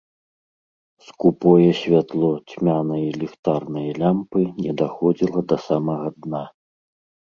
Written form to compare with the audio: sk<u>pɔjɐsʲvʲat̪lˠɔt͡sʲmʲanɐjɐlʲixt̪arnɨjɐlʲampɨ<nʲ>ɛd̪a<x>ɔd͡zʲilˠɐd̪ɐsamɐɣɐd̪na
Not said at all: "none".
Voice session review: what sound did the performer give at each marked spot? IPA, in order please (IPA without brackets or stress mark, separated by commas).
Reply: u, nʲ, x